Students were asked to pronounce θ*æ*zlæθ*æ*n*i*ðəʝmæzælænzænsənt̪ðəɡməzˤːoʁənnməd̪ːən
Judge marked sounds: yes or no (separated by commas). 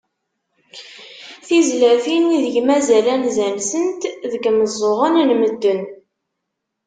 no, no, yes